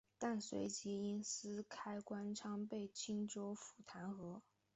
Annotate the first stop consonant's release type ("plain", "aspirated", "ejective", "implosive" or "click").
plain